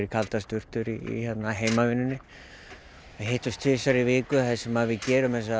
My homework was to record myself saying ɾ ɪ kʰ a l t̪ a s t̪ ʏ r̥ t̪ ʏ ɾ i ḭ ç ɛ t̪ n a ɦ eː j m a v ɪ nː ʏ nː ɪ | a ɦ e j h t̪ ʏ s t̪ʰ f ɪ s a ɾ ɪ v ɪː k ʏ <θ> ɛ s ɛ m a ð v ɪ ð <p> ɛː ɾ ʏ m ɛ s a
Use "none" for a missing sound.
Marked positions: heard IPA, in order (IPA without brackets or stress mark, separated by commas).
θ, c